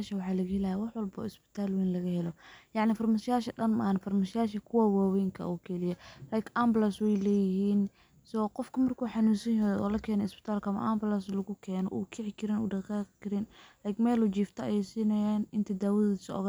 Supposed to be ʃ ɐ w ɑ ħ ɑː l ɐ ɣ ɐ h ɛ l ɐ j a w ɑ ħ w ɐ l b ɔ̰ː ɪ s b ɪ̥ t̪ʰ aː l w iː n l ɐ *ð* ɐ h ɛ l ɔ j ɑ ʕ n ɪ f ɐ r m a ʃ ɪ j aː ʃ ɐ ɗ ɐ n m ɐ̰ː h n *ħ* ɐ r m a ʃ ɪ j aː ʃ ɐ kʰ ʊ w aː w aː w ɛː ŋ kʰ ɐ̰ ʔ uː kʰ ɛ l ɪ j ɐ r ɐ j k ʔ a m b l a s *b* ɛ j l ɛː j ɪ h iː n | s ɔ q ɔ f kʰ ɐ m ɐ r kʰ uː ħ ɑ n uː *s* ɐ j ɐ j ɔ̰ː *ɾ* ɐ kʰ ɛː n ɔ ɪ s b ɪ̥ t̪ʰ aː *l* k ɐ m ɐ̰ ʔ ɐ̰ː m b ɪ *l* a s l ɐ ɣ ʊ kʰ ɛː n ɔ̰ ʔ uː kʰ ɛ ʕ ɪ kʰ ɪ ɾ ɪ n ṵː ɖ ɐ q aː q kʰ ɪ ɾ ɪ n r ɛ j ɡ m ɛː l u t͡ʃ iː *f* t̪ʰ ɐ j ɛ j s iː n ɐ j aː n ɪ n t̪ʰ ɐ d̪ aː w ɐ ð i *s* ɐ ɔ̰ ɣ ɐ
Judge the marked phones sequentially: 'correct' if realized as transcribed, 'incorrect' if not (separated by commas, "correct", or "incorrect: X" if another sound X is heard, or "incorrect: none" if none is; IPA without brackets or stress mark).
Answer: incorrect: ɣ, incorrect: f, incorrect: w, correct, incorrect: l, correct, correct, correct, correct